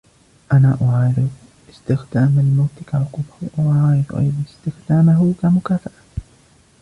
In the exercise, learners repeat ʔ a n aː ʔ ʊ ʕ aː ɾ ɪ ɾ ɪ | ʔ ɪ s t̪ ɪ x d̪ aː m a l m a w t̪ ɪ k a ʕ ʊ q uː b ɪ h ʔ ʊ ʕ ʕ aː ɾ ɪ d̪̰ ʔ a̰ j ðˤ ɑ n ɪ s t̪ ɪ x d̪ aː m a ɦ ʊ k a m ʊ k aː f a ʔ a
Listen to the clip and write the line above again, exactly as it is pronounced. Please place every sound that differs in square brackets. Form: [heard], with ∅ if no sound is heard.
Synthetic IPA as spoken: ʔ a n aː ʔ ʊ ʕ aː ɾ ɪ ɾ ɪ | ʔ ɪ s t̪ ɪ x d̪ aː m a l m a w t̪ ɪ k a ʕ ʊ q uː b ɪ h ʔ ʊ ʕ ʕ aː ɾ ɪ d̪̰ ʔ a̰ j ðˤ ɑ n ɪ s t̪ ɪ x d̪ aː m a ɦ ʊ k a m ʊ k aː f a ʔ a

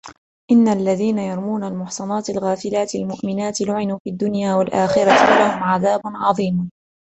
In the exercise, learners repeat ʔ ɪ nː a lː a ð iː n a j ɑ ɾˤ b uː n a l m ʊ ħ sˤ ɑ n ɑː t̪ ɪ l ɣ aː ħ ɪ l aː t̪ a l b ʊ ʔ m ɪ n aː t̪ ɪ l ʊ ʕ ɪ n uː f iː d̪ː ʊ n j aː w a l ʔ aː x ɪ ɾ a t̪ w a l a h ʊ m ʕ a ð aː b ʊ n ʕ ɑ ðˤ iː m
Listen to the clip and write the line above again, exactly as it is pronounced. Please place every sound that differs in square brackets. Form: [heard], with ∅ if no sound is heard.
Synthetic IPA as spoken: ʔ ɪ nː a lː a ð iː n a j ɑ ɾˤ [m] uː n a l m ʊ ħ sˤ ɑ n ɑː t̪ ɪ l ɣ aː [f] ɪ l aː t̪ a l [m] ʊ ʔ m ɪ n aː t̪ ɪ l ʊ ʕ ɪ n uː f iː d̪ː ʊ n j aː w a l ʔ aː x ɪ ɾ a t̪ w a l a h ʊ m ʕ a ð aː b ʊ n ʕ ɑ ðˤ iː m

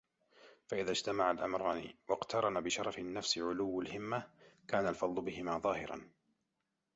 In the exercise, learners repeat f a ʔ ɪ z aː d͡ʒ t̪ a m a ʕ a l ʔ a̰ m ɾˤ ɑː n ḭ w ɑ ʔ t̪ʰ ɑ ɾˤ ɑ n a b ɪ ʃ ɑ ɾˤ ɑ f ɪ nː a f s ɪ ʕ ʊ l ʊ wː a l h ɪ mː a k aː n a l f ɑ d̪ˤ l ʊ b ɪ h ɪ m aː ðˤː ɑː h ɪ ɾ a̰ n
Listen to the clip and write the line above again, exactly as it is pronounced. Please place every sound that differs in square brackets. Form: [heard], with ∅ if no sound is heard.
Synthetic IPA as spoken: f a ʔ ɪ [ð] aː d͡ʒ t̪ a m a ʕ a l ʔ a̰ m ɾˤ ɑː n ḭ w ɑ [q] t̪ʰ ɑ ɾˤ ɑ n a b ɪ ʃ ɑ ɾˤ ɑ f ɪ nː a f s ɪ ʕ ʊ l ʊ wː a l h ɪ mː a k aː n a l f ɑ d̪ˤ l ʊ b ɪ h ɪ m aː [ðˤ] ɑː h ɪ ɾ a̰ n

